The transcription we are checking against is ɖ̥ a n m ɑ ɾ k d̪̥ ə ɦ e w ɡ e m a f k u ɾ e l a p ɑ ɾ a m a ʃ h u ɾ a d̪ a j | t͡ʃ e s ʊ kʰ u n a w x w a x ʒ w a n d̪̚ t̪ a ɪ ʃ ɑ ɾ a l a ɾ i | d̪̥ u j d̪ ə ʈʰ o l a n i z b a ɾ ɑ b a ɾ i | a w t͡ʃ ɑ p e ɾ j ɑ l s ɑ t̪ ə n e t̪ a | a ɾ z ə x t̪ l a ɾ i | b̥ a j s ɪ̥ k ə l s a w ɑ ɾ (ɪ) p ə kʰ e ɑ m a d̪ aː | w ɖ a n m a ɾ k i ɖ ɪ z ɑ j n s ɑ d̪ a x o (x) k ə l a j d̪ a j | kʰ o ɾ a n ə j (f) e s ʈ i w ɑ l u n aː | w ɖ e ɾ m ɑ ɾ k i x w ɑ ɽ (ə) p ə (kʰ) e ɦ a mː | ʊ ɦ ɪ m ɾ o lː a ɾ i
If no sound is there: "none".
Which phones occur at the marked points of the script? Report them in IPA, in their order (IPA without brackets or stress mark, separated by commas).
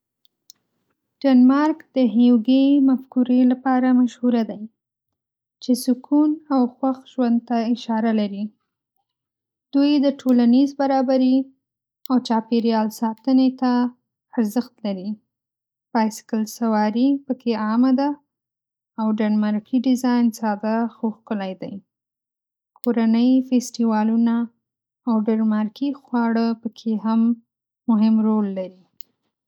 i, x, f, ə, kʰ